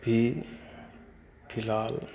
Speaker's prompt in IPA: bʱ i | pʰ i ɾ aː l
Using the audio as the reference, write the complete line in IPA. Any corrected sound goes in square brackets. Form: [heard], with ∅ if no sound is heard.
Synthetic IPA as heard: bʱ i | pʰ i [l] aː l